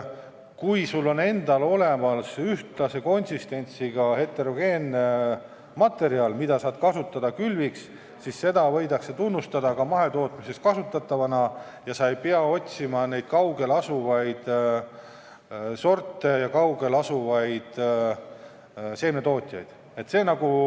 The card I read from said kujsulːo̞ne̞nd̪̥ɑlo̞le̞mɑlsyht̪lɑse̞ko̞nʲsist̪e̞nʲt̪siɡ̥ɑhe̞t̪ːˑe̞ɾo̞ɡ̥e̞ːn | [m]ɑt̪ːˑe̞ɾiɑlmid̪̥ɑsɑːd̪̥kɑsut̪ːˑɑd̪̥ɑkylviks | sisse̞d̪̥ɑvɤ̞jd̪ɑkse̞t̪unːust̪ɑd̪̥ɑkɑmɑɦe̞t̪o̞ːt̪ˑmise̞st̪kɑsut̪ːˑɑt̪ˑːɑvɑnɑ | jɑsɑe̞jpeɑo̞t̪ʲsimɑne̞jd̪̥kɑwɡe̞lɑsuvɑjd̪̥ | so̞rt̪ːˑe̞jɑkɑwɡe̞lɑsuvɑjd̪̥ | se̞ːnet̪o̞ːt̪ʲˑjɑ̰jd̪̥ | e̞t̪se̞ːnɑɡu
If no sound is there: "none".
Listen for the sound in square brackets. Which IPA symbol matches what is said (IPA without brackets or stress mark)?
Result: m